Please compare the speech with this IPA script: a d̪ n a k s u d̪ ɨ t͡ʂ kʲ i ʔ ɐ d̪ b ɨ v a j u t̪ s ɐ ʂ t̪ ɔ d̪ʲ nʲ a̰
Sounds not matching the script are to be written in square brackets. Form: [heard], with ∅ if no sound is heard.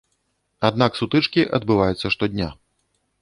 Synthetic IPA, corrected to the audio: a d̪ n a k s u [t̪] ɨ t͡ʂ kʲ i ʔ ɐ d̪ b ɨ v a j u t̪ [sː] ɐ ʂ t̪ ɔ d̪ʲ nʲ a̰